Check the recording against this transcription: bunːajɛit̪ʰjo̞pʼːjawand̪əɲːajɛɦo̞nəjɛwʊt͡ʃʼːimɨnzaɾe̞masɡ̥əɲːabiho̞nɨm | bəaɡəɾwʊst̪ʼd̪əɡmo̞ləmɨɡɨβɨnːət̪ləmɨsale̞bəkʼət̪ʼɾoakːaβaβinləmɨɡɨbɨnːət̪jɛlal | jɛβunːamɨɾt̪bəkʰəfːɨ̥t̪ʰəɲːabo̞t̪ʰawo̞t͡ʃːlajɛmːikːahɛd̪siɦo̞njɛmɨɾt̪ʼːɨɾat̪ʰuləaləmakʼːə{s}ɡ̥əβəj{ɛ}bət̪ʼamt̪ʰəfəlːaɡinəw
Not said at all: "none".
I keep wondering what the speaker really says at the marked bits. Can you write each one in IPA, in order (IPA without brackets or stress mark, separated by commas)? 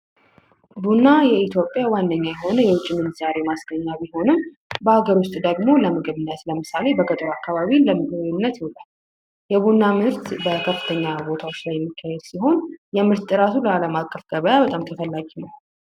f, a